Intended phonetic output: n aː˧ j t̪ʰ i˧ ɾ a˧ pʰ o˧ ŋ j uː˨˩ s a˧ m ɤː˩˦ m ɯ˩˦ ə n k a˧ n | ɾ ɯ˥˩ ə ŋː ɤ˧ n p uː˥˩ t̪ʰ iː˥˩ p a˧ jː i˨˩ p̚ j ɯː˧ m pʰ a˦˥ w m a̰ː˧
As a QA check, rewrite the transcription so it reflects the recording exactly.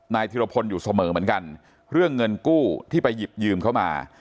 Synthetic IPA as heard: n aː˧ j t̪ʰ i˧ ɾ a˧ pʰ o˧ n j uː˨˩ s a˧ m ɤː˩˦ m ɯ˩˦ ə n k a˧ n | ɾ ɯ˥˩ ə ŋː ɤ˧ n k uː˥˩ t̪ʰ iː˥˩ p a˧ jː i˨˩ p̚ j ɯː˧ m kʰ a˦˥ w m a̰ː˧